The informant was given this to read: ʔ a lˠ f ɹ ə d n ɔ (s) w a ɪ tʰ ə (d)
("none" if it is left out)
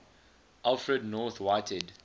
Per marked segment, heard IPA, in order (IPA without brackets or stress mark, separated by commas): θ, d